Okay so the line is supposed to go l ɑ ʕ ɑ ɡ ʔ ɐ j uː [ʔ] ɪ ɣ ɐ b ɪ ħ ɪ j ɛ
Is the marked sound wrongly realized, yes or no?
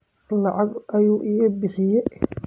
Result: no